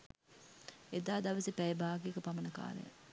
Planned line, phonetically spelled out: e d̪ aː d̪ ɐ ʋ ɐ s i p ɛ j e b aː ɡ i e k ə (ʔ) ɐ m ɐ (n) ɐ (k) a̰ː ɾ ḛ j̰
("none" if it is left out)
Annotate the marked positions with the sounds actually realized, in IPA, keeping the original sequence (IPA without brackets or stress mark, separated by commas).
p, n, k